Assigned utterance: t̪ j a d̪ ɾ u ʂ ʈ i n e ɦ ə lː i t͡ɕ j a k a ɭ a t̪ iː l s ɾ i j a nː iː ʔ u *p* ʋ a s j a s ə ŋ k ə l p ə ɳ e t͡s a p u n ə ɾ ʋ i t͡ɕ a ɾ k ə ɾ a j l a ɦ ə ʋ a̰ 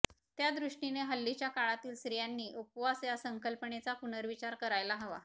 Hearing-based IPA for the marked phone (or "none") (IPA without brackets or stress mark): p